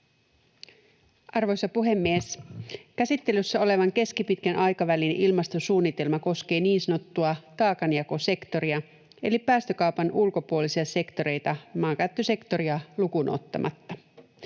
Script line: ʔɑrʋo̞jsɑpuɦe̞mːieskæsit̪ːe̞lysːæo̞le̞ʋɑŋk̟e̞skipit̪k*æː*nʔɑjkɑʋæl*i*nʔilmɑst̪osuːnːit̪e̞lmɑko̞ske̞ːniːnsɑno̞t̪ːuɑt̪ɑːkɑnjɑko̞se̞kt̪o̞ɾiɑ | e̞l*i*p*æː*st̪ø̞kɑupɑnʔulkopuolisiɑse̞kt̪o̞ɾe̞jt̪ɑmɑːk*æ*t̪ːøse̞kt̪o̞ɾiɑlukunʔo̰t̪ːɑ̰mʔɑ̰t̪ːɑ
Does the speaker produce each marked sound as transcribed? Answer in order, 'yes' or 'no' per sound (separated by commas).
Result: no, yes, yes, yes, yes